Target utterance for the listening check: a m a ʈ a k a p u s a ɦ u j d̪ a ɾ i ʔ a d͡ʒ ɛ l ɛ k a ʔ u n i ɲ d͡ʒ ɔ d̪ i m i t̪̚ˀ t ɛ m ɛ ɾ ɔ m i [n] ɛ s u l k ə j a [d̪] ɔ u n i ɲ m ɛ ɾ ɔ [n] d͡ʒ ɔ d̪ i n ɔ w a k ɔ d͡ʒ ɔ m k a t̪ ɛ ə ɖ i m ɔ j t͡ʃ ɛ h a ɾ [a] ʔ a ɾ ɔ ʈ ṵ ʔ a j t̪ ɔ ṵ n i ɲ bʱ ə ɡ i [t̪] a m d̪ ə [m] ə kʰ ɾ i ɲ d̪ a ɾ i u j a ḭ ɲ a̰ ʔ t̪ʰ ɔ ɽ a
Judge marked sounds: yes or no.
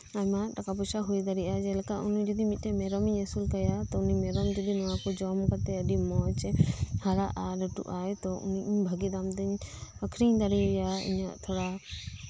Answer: no, no, no, yes, no, no

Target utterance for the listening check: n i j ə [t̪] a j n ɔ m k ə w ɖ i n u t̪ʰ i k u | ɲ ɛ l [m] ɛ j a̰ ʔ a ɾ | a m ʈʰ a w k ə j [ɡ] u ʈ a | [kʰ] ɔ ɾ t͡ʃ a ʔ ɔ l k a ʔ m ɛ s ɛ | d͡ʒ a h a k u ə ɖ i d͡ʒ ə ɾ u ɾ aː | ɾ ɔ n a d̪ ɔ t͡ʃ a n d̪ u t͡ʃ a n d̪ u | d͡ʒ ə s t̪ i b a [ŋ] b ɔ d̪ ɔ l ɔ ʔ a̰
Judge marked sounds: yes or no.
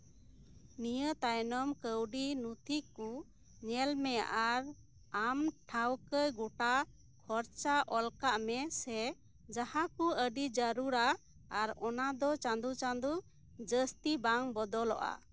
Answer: yes, yes, yes, yes, yes

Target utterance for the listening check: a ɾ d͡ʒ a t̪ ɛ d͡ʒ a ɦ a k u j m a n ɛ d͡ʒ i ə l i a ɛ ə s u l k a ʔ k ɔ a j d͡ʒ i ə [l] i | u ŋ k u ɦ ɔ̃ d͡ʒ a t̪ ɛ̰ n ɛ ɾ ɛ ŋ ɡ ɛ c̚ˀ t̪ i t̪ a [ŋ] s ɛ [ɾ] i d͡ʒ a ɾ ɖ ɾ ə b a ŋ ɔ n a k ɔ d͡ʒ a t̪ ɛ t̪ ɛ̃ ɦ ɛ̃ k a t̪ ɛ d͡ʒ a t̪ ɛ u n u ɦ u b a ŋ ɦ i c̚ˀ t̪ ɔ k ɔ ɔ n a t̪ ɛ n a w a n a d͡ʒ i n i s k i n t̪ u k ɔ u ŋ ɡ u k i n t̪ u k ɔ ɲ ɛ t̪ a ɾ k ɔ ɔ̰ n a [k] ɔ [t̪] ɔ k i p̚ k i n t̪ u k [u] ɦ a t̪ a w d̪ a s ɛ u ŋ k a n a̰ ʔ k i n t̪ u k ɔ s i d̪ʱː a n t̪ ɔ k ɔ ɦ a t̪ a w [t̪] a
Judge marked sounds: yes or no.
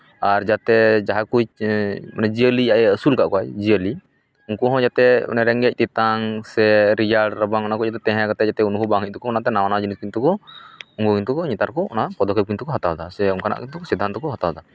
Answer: yes, yes, yes, no, no, no, no

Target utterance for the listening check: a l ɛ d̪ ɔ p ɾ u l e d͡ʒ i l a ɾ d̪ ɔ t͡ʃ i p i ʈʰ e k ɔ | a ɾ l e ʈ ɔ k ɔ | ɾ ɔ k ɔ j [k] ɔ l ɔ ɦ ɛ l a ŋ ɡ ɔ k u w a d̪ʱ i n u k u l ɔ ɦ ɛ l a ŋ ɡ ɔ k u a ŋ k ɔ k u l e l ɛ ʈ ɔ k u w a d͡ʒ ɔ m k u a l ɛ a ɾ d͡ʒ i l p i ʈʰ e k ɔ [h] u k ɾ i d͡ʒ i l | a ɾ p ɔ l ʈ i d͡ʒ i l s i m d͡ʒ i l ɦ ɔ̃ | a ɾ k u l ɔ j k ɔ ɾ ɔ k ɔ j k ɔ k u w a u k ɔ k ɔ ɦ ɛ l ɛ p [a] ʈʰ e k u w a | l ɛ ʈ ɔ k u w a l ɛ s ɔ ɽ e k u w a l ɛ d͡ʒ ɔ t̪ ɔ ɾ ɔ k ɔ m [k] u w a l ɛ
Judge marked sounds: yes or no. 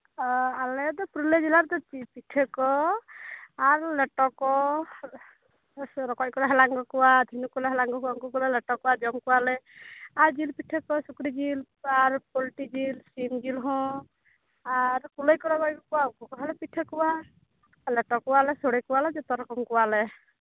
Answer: yes, no, no, yes

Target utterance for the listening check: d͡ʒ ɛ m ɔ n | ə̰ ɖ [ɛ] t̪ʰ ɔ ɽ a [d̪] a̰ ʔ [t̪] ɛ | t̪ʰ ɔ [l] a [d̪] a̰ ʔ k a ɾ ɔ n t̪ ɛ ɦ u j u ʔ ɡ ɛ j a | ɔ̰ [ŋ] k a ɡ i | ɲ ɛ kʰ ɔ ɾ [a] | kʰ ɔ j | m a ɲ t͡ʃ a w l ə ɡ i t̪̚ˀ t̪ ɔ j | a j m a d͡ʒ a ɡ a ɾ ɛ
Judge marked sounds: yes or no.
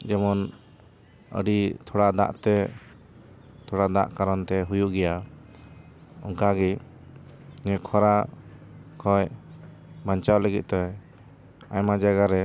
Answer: no, yes, yes, no, yes, yes, yes

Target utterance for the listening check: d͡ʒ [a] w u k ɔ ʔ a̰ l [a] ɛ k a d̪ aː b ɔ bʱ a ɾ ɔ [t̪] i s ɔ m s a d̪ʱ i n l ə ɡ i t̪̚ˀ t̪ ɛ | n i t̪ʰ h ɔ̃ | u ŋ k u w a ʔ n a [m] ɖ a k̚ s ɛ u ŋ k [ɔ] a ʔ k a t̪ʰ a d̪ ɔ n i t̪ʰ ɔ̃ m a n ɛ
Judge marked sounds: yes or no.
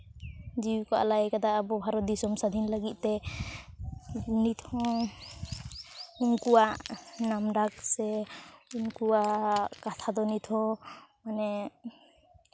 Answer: no, yes, no, yes, no

